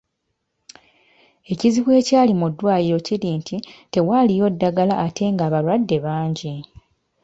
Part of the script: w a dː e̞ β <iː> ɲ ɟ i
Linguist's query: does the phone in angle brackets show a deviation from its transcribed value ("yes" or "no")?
yes